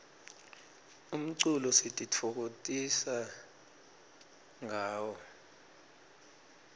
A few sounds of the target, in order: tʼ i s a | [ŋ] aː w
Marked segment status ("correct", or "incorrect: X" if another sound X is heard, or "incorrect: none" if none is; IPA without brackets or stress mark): correct